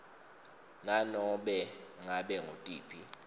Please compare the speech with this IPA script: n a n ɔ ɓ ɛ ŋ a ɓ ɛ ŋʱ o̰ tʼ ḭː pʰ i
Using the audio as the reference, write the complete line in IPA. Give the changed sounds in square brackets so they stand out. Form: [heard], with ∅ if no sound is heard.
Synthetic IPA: n a n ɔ ɓ ɛ ŋ a ɓ ɛ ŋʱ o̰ tʼ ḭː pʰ i